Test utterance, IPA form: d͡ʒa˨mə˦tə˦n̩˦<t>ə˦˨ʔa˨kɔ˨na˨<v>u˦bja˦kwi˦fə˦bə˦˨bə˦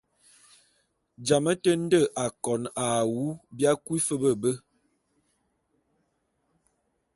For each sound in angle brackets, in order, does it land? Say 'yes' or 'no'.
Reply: no, no

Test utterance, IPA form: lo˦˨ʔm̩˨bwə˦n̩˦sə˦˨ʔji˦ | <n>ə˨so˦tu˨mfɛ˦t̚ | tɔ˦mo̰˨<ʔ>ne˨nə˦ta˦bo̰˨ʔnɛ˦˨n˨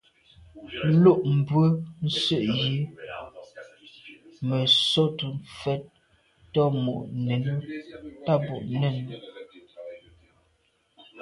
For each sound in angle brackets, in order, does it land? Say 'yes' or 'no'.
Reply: no, yes

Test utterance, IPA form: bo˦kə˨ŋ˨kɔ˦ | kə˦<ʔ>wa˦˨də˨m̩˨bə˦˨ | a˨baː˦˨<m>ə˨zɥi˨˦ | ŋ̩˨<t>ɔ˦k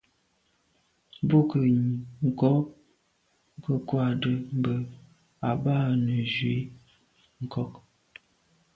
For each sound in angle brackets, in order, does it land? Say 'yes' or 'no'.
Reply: no, no, no

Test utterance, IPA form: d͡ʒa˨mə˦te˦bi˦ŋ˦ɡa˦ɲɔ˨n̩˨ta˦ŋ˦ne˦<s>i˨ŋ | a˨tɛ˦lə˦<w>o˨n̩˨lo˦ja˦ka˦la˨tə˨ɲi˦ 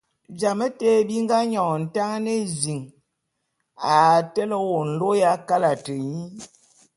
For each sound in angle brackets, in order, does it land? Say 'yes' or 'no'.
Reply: no, yes

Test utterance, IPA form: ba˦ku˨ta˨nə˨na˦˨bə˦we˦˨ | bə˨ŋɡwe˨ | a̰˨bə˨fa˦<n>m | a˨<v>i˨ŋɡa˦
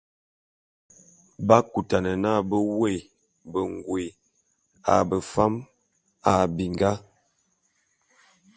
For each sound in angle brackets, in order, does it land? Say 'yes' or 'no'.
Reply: no, no

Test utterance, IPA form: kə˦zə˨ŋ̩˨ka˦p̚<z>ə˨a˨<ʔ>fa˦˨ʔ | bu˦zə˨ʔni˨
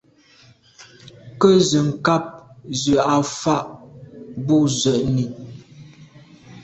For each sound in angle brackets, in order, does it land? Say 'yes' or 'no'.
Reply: yes, no

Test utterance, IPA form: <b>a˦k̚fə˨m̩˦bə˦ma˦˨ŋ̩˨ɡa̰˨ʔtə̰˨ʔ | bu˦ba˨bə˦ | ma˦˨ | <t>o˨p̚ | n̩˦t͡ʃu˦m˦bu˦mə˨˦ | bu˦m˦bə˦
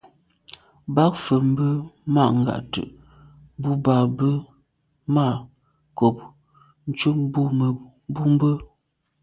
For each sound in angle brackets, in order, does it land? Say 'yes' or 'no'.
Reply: yes, no

